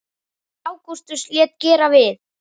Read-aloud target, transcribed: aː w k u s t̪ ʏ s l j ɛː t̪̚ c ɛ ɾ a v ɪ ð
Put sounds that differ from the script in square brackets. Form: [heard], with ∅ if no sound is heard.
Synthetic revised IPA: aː w k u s t̪ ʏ s l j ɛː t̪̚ c [ɛː] ɾ a v ɪ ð